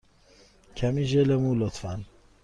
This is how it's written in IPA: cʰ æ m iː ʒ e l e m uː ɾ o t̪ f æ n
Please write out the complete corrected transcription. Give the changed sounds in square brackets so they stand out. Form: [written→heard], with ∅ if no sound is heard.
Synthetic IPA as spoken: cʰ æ m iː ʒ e l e m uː [ɾ→l] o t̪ f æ n